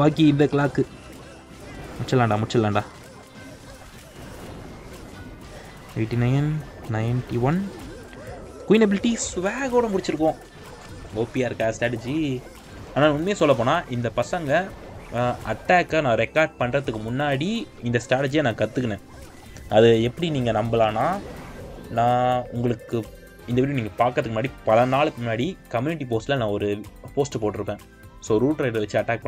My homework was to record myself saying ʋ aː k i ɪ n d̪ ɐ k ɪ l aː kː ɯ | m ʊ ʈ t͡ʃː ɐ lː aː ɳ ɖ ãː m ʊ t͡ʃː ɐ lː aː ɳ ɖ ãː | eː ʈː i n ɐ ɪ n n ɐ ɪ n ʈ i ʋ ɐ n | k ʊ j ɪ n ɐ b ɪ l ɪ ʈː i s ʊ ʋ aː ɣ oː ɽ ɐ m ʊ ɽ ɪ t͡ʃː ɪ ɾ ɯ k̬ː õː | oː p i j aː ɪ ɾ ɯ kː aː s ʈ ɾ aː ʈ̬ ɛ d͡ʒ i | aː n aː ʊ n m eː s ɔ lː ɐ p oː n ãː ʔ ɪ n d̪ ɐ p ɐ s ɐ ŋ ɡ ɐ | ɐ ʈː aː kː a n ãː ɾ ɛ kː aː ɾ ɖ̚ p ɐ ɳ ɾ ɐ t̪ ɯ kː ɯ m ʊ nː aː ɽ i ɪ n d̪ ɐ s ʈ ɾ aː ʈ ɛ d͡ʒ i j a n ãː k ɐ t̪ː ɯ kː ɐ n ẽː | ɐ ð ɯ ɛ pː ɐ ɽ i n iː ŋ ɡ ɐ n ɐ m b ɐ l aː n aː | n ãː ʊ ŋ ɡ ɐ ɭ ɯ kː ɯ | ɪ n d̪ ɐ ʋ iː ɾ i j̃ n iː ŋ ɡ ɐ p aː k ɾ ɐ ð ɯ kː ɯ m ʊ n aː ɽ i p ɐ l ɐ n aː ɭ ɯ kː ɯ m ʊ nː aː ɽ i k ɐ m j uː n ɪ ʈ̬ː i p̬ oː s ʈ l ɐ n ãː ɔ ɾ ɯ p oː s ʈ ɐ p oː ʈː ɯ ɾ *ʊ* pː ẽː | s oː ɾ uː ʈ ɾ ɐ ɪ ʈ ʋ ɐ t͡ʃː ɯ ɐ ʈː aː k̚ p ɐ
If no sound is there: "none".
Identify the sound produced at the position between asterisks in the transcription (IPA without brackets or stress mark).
ɯ